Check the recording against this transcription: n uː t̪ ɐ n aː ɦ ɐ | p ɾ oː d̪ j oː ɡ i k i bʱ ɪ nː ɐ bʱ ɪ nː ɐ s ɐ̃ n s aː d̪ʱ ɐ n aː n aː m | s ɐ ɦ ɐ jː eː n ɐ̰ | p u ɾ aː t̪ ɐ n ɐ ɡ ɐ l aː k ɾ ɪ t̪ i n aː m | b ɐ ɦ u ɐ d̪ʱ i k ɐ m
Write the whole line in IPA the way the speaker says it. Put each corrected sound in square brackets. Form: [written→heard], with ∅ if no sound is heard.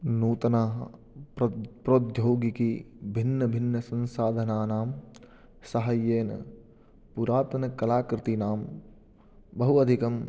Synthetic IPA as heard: n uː t̪ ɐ n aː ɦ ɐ | p ɾ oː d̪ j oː ɡ i k i bʱ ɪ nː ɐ bʱ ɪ nː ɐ s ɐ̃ n s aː d̪ʱ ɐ n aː n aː m | s ɐ ɦ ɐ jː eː n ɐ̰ | p u ɾ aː t̪ ɐ n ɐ [ɡ→k] ɐ l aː k ɾ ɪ t̪ i n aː m | b ɐ ɦ u ɐ d̪ʱ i k ɐ m